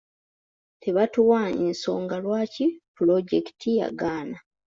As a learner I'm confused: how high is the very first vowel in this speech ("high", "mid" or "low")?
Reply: mid